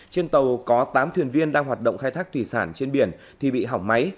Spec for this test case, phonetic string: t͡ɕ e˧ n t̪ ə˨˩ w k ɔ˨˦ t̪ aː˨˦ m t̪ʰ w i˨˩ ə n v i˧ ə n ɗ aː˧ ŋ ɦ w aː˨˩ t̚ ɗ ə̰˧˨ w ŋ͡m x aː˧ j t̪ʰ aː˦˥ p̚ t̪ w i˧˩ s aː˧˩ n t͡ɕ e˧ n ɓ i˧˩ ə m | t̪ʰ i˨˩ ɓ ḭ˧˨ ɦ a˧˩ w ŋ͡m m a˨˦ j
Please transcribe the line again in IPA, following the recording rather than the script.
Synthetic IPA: t͡ɕ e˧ n t̪ ə˨˩ w k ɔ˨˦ t̪ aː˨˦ m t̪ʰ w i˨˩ ə n v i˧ ə n ɗ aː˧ ŋ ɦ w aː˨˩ t̚ ɗ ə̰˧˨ w ŋ͡m x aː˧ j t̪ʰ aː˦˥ k̚ t̪ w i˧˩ s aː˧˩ n t͡ɕ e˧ n ɓ i˧˩ ə n | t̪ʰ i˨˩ ɓ ḭ˧˨ ɦ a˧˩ w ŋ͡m m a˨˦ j